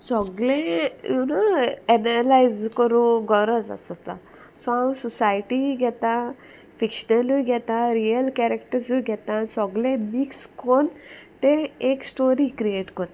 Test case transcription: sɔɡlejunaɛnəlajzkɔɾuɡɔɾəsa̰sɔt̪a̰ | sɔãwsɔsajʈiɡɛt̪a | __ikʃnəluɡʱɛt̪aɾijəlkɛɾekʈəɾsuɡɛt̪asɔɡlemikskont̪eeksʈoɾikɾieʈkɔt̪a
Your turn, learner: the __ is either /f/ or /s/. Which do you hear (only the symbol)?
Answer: f